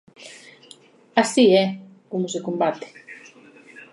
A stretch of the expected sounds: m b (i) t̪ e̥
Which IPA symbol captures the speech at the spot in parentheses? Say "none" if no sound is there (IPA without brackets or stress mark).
a